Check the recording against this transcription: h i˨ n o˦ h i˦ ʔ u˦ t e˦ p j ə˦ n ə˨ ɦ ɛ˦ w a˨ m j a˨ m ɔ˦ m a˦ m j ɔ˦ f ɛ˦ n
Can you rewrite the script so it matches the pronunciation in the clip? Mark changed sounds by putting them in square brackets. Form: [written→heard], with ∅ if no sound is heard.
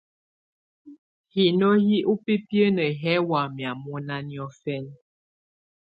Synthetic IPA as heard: h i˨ n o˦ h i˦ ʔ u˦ [t→p] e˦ p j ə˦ n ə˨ ɦ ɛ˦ w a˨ m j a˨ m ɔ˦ [m→n] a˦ [m→n] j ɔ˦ f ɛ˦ n